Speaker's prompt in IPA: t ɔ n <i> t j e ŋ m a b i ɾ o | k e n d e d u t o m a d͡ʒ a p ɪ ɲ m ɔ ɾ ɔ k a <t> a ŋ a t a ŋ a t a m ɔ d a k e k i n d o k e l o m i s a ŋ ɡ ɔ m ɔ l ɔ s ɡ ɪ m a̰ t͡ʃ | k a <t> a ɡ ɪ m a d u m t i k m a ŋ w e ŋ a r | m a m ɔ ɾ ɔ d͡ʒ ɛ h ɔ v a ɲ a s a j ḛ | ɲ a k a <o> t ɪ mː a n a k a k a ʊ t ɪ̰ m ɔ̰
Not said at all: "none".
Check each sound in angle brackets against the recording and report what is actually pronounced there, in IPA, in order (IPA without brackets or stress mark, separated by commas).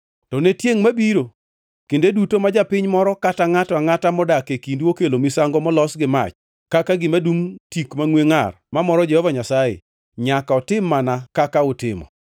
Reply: e, t, k, ɔ